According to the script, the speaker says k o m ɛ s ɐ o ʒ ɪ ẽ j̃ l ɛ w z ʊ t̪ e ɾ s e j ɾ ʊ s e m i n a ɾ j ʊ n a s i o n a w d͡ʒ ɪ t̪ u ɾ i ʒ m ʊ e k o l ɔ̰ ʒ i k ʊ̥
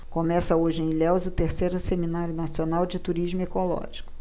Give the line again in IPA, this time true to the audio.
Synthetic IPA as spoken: k o m ɛ s ɐ o ʒ ɪ ẽ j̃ l ɛ w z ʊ t̪ e ɾ s e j ɾ ʊ s e m i n a ɾ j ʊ n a s i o n a w d͡ʒ ɪ t̪ u ɾ i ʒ m ʊ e k o l ɔ̰ ʒ i k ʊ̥